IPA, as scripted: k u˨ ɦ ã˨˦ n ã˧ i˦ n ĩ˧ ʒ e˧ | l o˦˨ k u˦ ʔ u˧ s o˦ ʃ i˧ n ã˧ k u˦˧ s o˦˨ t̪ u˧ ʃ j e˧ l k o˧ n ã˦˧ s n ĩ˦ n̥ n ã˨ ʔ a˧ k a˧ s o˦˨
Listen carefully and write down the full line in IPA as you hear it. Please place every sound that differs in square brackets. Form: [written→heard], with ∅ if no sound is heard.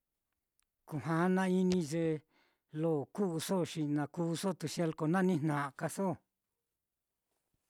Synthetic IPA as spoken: k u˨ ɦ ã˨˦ n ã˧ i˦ n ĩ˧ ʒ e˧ | l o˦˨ k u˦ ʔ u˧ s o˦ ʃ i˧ n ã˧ k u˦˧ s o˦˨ t̪ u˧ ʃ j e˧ l k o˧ n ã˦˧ [s→∅] n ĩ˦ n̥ n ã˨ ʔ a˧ k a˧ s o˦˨

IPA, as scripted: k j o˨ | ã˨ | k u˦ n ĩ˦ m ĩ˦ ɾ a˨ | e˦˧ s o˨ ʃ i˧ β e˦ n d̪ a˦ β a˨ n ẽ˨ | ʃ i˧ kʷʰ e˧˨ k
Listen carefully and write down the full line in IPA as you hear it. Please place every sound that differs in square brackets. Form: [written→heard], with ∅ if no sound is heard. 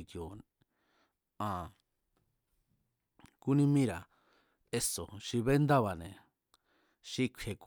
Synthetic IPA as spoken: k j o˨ | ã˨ | k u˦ n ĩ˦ m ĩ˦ ɾ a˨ | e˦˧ s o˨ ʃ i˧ β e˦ n d̪ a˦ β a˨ n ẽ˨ | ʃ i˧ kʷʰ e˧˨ k

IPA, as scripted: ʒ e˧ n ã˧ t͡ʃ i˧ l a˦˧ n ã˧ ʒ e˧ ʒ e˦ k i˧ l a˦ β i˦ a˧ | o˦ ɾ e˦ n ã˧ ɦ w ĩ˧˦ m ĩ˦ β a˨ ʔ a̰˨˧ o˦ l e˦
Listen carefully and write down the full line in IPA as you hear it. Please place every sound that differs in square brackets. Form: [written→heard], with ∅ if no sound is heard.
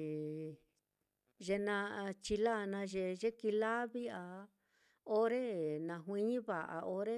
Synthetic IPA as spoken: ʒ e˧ n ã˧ t͡ʃ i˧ l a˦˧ n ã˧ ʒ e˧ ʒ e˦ k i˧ l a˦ β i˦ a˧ | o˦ ɾ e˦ n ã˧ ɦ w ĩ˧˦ [m→ɲ] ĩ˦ β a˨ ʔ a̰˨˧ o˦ [l→ɾ] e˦

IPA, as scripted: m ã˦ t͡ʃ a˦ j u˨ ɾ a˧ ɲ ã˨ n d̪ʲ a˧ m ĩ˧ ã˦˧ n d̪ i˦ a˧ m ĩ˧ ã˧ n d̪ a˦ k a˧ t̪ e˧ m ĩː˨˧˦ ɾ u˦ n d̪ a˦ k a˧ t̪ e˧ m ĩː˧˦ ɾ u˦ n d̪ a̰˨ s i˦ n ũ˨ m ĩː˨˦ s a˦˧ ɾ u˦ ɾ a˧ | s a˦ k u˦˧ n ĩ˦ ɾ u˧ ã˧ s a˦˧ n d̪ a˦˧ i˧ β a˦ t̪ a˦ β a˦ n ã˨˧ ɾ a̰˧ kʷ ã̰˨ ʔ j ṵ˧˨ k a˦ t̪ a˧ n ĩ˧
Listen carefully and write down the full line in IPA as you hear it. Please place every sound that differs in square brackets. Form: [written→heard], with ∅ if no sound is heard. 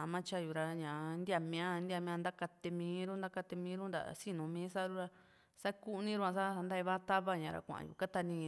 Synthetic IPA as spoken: m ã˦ t͡ʃ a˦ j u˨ ɾ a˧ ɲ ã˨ n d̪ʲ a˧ m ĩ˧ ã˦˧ n d̪ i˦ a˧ m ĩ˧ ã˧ n d̪ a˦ k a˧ t̪ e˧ m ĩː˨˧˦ ɾ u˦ n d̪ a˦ k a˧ t̪ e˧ m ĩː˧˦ ɾ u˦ n d̪ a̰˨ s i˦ n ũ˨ m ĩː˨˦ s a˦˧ ɾ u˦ ɾ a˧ | s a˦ k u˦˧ n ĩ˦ ɾ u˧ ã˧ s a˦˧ n d̪ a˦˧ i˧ β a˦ t̪ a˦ β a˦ [n→ɲ] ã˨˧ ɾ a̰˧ kʷ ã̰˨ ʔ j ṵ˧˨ k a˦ t̪ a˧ n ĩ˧

